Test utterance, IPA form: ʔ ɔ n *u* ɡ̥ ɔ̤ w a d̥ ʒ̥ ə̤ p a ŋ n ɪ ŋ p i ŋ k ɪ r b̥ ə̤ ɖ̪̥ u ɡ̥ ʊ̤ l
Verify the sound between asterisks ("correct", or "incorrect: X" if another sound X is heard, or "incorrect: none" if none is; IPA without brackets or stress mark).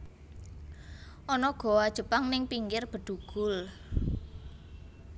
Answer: incorrect: ɔ